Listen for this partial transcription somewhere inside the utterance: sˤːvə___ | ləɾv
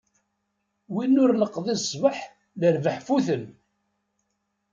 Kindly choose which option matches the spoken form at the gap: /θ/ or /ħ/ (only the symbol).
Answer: ħ